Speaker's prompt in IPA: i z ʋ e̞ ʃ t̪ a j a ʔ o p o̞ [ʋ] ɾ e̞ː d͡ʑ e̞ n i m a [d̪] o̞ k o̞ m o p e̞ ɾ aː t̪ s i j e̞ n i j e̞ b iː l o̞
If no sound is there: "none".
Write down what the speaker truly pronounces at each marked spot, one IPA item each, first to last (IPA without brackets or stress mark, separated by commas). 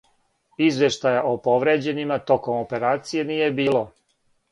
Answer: ʋ, t̪